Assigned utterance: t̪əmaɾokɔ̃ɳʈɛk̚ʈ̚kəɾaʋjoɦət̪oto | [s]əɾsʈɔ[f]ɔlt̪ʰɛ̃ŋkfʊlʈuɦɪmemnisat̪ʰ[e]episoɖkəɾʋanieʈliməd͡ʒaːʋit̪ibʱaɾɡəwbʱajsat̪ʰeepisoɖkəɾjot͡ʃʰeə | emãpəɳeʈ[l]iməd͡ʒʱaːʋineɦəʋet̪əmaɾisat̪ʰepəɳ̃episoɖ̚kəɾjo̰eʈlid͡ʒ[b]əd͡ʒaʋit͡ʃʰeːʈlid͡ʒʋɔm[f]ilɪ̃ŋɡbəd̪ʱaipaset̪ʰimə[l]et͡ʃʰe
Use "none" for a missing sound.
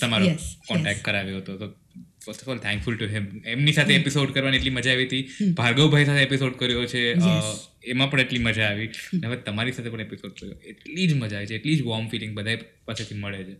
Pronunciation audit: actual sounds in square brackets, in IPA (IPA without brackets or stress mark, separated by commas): f, f, e, l, m, f, ɭ